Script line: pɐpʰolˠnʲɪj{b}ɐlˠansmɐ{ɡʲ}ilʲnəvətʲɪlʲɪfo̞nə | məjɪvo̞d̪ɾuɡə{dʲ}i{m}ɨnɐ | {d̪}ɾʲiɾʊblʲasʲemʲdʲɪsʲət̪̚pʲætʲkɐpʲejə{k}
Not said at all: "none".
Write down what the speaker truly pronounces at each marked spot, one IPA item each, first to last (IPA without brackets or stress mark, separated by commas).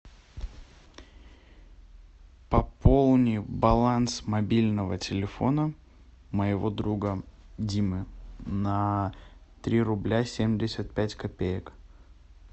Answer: b, bʲ, dʲ, m, t̪, k